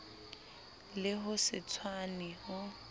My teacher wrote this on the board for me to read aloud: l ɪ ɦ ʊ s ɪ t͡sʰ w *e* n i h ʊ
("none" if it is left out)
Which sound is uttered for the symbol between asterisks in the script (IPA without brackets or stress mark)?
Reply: a